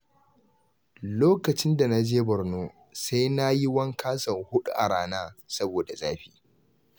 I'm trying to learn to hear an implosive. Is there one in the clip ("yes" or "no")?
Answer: yes